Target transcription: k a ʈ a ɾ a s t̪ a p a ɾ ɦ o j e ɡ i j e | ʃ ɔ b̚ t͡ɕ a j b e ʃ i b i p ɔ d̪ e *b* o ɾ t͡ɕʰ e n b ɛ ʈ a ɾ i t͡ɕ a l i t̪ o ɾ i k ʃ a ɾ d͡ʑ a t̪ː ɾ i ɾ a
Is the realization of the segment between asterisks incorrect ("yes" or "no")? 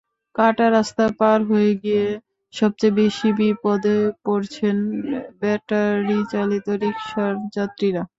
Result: yes